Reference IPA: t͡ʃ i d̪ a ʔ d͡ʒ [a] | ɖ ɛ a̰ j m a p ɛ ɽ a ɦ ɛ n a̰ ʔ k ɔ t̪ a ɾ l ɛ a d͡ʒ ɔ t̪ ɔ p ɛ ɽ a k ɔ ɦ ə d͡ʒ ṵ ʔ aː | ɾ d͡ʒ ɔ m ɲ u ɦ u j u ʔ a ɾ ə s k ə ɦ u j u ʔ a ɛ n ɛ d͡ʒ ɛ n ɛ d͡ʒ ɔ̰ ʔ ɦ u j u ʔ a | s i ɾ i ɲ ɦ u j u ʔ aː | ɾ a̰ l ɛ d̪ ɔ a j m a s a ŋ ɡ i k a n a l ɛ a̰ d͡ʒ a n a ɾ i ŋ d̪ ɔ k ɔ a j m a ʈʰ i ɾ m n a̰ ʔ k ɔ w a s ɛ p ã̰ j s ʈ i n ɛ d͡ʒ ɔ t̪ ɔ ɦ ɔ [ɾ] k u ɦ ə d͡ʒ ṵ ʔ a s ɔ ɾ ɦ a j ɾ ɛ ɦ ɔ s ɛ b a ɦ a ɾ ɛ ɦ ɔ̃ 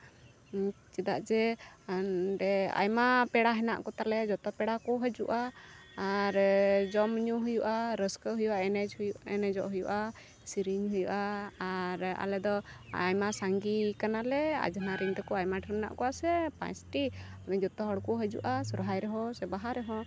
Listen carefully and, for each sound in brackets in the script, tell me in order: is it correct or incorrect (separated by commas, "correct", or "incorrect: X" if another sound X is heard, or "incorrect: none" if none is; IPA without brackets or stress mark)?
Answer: incorrect: ɛ, incorrect: ɽ